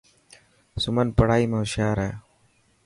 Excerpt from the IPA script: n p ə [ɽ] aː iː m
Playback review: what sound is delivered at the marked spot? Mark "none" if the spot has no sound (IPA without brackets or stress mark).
ɽ